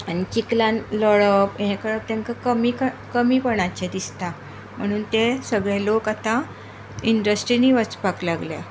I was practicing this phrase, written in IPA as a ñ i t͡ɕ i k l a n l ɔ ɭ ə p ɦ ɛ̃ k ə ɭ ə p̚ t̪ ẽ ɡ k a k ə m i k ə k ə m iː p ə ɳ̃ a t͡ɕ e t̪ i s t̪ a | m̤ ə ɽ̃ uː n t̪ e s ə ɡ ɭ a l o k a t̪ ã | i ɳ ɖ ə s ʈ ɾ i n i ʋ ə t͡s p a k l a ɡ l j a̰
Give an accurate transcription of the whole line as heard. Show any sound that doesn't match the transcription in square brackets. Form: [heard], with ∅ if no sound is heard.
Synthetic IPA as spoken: a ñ i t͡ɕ i k l a n l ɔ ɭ ə p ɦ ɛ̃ k ə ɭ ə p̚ t̪ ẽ [ŋ] k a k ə m i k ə k ə m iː p ə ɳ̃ a t͡ɕ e [d̪] i s t̪ a | m̤ ə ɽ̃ uː n t̪ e s ə ɡ ɭ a l o k a t̪ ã | i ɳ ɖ ə s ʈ ɾ i n i ʋ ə t͡s p a k l a ɡ l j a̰